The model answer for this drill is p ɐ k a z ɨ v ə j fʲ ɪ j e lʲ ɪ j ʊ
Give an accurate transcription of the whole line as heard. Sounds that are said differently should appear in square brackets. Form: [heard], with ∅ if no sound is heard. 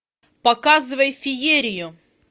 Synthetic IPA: p ɐ k a z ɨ v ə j fʲ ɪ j e [ɾʲ] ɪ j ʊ